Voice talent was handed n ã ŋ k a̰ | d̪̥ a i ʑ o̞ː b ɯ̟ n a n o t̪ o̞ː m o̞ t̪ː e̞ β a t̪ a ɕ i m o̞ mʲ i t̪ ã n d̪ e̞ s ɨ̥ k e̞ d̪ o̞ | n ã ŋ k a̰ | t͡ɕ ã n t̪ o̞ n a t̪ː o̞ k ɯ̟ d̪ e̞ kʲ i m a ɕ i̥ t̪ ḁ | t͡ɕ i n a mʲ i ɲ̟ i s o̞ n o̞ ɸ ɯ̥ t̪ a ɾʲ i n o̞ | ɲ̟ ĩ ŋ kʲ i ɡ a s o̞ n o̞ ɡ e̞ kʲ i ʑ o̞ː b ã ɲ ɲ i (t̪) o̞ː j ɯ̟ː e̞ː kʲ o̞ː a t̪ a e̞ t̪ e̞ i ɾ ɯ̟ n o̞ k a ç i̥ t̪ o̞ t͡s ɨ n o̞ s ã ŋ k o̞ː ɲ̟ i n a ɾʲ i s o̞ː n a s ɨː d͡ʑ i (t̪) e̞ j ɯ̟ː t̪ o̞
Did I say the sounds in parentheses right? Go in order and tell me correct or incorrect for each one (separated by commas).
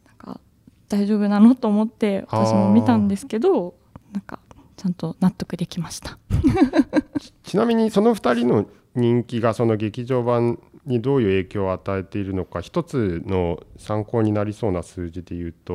incorrect, incorrect